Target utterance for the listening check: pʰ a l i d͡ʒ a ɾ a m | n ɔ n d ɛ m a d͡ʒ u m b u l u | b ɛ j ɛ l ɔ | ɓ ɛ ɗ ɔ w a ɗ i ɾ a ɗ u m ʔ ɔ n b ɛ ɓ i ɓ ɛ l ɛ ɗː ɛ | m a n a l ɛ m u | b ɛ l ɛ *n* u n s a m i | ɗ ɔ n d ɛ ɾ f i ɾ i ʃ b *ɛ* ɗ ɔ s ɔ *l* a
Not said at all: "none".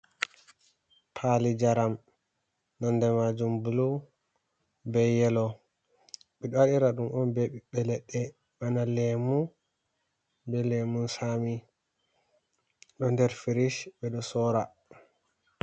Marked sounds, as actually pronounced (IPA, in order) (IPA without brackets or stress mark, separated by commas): m, ɛ, ɾ